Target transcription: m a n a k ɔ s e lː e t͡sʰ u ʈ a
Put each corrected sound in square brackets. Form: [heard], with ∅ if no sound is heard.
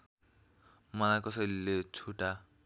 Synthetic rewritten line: m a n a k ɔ s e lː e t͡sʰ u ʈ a